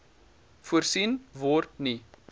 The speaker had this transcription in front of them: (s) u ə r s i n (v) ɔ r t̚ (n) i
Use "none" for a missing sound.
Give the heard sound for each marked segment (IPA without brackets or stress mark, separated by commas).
f, v, n